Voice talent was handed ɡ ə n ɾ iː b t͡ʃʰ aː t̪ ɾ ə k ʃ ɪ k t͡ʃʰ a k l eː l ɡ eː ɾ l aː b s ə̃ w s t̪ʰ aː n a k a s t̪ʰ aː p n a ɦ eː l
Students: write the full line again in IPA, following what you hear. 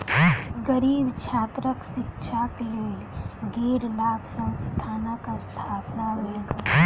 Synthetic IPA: ɡ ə ɾ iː b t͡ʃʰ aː t̪ ɾ ə k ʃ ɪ k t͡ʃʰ a k l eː l ɡ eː ɾ l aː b s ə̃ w s t̪ʰ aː n a k a s t̪ʰ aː p n a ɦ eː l